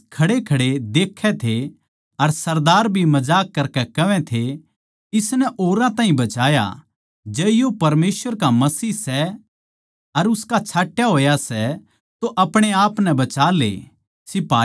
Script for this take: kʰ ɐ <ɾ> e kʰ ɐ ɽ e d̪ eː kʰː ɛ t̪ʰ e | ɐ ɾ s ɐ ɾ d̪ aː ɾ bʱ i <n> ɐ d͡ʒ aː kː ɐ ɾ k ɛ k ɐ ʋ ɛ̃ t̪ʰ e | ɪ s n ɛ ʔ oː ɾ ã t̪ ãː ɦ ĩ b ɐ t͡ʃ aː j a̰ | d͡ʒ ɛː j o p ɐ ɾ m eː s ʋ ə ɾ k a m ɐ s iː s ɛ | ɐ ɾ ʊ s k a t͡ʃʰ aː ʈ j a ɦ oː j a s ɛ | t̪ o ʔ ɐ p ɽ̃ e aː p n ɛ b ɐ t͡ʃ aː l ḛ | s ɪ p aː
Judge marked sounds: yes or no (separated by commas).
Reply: no, no